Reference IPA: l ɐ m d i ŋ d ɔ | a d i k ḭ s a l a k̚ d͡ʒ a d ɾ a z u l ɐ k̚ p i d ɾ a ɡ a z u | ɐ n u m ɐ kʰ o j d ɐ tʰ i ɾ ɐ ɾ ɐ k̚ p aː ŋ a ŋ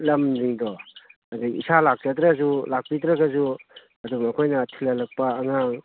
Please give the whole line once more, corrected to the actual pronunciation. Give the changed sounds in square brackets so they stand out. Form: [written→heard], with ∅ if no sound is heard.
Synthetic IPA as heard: l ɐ m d i ŋ d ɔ | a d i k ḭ s a l a k̚ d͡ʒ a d ɾ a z u l [ɐ→a] k̚ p i d ɾ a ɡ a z u | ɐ [n→d] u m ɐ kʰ o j [d→n] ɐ tʰ i [ɾ→l] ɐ [ɾ→l] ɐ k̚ p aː ŋ a ŋ